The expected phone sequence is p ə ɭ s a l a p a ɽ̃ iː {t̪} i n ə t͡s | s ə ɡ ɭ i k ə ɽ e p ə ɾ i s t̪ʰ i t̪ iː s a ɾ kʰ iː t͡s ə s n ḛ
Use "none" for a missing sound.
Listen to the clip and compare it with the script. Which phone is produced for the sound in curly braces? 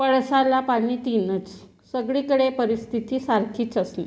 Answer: t̪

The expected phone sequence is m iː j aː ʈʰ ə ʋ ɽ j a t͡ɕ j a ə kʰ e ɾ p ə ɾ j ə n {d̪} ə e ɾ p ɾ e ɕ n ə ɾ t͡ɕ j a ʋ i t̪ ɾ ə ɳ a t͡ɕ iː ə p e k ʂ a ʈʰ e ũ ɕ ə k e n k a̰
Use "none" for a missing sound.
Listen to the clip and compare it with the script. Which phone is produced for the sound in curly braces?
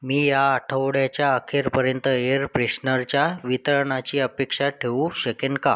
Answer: t̪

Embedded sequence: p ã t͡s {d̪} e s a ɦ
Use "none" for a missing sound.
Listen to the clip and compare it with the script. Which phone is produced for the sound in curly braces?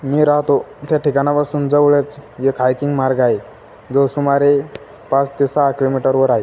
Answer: t̪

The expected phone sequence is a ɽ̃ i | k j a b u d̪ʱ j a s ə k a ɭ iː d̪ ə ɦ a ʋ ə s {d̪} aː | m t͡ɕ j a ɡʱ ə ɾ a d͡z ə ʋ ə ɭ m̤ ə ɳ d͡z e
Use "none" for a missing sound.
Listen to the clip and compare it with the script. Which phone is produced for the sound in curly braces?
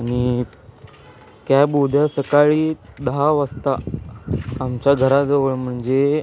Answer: t̪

